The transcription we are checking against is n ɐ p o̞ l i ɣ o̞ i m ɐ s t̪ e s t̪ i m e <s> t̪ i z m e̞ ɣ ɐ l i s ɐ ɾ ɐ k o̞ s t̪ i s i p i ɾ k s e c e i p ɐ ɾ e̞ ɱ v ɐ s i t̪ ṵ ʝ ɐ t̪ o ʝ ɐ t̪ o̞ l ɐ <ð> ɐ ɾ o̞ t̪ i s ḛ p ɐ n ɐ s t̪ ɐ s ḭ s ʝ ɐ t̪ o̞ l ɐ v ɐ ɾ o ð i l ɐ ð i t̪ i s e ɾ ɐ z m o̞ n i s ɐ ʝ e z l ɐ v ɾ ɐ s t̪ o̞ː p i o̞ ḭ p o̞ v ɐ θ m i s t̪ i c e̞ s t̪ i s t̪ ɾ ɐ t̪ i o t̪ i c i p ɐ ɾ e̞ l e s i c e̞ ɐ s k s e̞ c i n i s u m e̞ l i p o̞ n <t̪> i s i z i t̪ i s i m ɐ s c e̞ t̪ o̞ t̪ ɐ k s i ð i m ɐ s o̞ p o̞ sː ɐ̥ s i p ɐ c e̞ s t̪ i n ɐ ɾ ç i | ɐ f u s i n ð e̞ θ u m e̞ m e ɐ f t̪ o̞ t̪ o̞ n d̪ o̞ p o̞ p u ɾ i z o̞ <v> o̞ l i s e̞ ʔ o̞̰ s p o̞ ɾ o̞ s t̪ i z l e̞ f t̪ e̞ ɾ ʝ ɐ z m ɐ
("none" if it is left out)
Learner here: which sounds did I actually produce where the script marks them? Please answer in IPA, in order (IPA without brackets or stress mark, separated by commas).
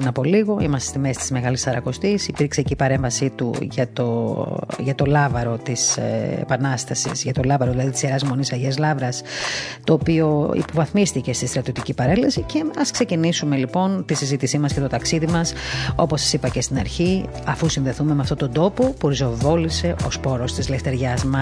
s, v, t̪, v